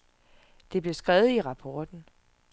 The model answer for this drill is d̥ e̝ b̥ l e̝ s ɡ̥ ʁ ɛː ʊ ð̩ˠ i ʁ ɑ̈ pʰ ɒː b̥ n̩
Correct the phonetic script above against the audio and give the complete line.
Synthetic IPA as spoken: d̥ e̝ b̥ l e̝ s ɡ̥ ʁ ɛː ʊ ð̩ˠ i ʁ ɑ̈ pʰ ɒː d̥ n̩